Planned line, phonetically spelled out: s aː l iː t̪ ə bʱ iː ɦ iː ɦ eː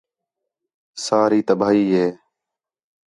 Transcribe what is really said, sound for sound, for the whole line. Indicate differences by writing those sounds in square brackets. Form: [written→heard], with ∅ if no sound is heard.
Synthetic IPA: s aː [l→ɾ] iː t̪ ə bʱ [iː→aː] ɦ iː ɦ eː